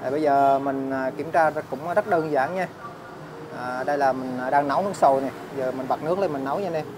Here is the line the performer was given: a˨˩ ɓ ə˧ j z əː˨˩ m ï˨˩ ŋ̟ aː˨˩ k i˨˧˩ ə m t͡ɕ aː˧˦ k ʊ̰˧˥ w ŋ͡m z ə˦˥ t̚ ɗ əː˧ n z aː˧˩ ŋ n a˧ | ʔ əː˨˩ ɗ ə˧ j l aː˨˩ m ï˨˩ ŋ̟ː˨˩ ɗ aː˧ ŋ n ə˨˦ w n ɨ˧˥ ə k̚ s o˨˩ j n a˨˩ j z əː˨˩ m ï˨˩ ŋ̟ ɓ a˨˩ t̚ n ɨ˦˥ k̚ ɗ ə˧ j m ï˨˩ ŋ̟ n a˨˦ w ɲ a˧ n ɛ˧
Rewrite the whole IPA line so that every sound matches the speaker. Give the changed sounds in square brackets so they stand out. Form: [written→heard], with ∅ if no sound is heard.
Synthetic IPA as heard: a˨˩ ɓ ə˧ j z əː˨˩ m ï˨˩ ŋ̟ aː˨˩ k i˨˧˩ ə m t͡ɕ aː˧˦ k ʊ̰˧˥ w ŋ͡m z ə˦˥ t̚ ɗ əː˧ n z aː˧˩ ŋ [n→ɲ] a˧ | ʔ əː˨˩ ɗ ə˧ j l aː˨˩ m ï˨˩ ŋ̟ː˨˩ ɗ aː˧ ŋ n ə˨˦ w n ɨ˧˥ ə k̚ s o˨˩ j n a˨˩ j z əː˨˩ m ï˨˩ ŋ̟ ɓ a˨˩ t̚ n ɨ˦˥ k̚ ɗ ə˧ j m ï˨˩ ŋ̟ n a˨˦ w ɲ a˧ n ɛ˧

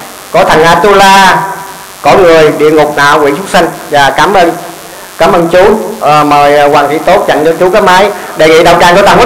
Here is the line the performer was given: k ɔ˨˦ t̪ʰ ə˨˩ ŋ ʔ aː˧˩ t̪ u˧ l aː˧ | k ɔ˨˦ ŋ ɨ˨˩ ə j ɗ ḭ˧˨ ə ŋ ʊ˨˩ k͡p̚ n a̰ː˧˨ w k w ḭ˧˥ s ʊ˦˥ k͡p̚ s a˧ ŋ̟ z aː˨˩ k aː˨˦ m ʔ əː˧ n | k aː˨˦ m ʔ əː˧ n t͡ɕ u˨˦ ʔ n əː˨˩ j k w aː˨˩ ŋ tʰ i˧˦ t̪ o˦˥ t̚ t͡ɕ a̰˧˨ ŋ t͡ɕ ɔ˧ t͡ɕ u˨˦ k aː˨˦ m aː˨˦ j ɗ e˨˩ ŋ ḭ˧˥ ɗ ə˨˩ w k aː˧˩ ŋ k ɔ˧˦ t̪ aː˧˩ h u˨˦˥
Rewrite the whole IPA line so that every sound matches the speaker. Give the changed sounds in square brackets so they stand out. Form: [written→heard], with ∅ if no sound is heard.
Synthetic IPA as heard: k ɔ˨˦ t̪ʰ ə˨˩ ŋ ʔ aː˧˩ t̪ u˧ l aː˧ | k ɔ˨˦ ŋ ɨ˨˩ ə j ɗ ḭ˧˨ ə ŋ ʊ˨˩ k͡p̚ n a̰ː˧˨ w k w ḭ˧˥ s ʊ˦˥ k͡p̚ s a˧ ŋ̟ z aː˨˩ k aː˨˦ m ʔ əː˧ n | k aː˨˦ m ʔ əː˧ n t͡ɕ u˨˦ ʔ [n→m] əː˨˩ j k w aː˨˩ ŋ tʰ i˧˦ t̪ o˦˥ t̚ t͡ɕ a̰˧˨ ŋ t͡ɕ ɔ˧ t͡ɕ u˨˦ k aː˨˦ m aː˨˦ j ɗ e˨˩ ŋ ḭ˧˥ ɗ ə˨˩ w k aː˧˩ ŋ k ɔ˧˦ t̪ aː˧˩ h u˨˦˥

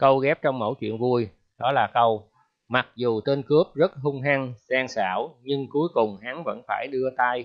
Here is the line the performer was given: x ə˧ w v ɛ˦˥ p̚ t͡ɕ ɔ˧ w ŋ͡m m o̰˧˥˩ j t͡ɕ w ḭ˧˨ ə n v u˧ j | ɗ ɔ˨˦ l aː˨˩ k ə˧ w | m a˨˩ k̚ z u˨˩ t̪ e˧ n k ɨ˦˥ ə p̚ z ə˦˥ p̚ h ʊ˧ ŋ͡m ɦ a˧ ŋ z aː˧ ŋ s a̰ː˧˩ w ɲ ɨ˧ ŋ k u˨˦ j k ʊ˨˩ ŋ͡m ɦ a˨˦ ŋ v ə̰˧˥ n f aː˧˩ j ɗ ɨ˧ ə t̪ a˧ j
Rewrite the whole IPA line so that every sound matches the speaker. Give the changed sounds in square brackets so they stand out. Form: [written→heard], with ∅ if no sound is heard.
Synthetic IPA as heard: [x→k] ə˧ w [v→ɣ] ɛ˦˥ p̚ t͡ɕ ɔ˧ w ŋ͡m m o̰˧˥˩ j t͡ɕ w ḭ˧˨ ə n v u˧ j | ɗ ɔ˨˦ l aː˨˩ k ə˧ w | m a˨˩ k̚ z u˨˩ t̪ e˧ n k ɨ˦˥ ə p̚ z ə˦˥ [p̚→t̚] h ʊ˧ ŋ͡m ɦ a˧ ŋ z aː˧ ŋ s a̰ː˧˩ w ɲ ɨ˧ ŋ k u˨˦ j k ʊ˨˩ ŋ͡m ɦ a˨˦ ŋ v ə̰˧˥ n f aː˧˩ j ɗ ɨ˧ ə t̪ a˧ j

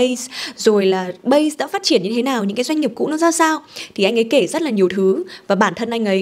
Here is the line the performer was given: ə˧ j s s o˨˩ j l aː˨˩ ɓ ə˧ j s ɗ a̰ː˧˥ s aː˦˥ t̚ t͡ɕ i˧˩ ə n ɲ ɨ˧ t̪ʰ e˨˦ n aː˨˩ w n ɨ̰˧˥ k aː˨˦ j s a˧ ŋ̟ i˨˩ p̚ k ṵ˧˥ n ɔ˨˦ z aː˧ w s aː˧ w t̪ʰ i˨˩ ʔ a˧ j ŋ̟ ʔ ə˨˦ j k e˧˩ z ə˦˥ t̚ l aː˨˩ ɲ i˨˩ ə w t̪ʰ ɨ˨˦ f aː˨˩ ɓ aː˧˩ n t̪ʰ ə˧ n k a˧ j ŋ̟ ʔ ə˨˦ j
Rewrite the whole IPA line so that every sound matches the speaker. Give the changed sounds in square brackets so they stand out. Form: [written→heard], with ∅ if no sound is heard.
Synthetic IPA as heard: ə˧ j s [s→z] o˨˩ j l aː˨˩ ɓ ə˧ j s ɗ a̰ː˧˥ [s→f] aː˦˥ t̚ t͡ɕ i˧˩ ə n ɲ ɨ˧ t̪ʰ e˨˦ n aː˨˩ w [n→ɲ] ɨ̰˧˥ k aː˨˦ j [s→z] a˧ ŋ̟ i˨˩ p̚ k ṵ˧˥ n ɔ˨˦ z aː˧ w s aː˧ w t̪ʰ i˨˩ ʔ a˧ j ŋ̟ ʔ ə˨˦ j k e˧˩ z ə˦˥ t̚ l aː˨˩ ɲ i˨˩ ə w t̪ʰ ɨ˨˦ [f→v] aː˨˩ ɓ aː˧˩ n t̪ʰ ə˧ n [k→ʔ] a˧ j ŋ̟ ʔ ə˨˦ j

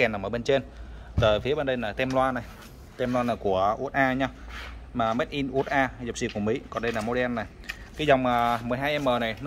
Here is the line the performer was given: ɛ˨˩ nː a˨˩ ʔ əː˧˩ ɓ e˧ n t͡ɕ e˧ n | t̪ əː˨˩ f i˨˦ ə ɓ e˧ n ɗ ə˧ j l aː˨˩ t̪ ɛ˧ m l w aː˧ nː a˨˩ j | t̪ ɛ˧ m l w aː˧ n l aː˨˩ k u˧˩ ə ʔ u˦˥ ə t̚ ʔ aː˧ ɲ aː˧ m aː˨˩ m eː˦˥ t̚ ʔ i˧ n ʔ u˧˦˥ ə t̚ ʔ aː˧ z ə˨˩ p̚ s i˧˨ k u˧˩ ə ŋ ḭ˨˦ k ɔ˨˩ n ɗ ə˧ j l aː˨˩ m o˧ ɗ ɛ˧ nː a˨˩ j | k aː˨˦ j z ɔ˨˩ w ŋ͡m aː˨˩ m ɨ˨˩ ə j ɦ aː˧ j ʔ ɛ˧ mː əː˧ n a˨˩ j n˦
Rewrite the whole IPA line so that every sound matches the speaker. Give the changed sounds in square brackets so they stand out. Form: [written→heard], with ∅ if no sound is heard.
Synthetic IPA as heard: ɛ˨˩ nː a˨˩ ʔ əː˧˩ ɓ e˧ n t͡ɕ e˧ n | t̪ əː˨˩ f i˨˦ ə ɓ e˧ n ɗ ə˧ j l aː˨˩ t̪ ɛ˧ m l w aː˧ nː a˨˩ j | t̪ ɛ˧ m l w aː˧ n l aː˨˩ k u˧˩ ə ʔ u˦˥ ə t̚ ʔ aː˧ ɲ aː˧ m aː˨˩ m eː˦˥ t̚ ʔ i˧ n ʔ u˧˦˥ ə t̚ ʔ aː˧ z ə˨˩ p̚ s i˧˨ k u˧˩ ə [ŋ→m] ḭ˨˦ k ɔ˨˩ n ɗ ə˧ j l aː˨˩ m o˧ ɗ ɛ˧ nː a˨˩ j | k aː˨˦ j z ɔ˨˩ w ŋ͡m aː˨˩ m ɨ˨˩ ə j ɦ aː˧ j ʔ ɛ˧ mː [əː˧→əː˨˩] n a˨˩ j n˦

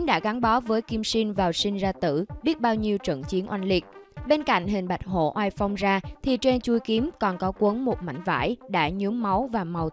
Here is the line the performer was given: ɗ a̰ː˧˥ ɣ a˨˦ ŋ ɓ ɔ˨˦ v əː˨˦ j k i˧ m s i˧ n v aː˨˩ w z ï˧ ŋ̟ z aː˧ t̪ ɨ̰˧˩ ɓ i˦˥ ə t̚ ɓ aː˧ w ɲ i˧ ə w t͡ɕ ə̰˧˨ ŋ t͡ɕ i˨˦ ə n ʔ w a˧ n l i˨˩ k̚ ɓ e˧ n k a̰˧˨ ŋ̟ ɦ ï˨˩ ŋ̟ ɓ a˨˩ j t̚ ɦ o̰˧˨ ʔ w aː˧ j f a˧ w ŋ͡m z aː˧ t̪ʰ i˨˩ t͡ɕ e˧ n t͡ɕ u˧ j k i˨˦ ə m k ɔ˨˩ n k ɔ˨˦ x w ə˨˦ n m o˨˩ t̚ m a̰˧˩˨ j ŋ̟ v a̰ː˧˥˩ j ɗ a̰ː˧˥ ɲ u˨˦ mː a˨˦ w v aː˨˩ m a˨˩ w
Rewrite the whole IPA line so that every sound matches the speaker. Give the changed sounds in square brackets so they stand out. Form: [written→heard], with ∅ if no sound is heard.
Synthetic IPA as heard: ɗ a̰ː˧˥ ɣ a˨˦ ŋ ɓ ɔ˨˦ v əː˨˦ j k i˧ m s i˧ n v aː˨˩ w [z→s] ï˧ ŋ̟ z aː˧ t̪ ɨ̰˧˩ ɓ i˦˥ ə t̚ ɓ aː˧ w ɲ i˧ ə w t͡ɕ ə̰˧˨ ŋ t͡ɕ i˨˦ ə n ʔ w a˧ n l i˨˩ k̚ ɓ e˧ n k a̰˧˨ ŋ̟ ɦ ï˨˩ ŋ̟ ɓ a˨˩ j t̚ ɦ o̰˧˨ ʔ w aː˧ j f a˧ w ŋ͡m z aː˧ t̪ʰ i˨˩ t͡ɕ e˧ n t͡ɕ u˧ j k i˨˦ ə m k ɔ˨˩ n k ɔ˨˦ [x→k] w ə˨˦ n m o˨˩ t̚ m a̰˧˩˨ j ŋ̟ v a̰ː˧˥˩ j ɗ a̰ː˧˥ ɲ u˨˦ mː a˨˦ w v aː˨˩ m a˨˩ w

